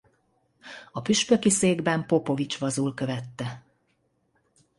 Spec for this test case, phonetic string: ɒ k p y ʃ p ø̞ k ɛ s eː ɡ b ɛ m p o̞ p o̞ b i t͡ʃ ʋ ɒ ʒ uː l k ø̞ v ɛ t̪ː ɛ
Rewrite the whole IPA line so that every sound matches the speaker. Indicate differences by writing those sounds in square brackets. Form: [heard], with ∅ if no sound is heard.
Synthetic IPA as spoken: ɒ [∅] p y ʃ p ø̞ k [i] s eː ɡ b ɛ m p o̞ p o̞ [v] i t͡ʃ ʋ ɒ [z] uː l k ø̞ v ɛ t̪ː ɛ